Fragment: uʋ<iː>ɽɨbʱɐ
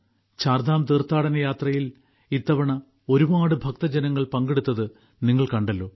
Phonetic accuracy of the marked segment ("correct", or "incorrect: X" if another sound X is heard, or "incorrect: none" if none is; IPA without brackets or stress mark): incorrect: aː